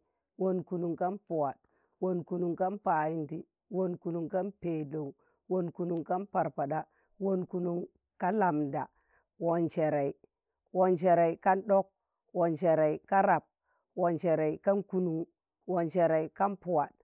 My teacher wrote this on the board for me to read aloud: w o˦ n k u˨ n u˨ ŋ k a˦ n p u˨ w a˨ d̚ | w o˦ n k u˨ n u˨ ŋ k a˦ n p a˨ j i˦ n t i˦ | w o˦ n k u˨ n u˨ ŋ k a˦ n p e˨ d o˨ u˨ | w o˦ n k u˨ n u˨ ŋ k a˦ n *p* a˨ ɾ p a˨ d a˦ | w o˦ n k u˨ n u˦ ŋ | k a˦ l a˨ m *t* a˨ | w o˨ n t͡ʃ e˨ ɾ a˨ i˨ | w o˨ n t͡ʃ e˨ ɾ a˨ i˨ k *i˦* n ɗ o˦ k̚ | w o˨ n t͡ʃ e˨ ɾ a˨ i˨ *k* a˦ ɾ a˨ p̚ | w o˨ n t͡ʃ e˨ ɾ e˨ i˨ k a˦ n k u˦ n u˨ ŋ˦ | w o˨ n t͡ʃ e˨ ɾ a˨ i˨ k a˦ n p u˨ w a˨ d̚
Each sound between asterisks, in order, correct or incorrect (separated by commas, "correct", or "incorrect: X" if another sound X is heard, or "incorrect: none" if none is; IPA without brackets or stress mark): correct, incorrect: d, incorrect: a˦, correct